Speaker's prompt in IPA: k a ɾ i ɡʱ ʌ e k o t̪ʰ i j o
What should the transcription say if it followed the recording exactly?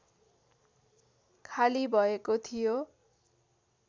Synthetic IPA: kʰ a l i bʱ ʌ e k o t̪ʰ i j o